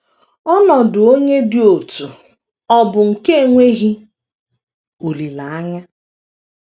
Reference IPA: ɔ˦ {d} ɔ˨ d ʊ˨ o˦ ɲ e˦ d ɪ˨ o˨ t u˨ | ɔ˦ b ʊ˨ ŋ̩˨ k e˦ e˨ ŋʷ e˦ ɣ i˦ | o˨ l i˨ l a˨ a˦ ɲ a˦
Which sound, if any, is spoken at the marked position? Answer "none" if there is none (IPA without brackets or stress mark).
n